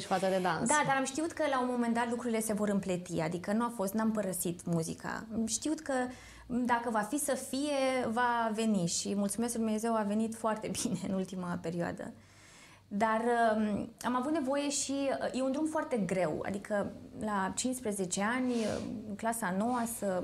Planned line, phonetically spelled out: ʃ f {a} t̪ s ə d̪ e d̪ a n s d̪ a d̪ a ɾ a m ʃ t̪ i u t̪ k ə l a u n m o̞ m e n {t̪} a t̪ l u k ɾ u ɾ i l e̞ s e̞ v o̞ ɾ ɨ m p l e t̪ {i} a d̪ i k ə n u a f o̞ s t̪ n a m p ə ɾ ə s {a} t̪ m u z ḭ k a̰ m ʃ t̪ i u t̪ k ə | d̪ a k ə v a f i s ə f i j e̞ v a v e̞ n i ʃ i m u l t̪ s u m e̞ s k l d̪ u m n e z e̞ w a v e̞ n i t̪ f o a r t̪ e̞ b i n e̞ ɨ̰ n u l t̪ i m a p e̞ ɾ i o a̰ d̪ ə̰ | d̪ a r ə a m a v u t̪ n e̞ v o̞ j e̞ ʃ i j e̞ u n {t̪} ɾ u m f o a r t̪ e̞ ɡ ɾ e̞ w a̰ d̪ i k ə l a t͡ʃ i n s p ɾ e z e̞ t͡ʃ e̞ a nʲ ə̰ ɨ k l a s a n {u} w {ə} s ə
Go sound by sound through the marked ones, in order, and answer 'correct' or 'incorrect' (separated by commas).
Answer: correct, incorrect, correct, incorrect, incorrect, incorrect, incorrect